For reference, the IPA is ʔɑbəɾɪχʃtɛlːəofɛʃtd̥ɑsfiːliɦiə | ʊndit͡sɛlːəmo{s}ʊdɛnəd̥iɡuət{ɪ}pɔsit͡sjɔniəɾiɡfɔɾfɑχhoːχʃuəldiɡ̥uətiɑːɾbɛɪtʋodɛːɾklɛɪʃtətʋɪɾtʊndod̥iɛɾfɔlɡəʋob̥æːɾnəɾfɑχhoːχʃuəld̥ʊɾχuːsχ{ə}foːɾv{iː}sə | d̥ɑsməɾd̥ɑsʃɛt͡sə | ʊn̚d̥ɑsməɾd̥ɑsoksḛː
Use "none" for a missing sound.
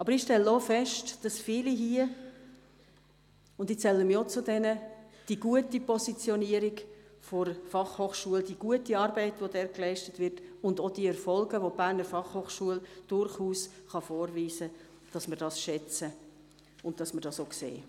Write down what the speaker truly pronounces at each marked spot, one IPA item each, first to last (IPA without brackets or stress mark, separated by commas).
t͡s, i, ɑ, iː